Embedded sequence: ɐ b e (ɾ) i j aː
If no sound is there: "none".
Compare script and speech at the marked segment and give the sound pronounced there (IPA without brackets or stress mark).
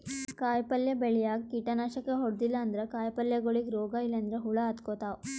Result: ɭ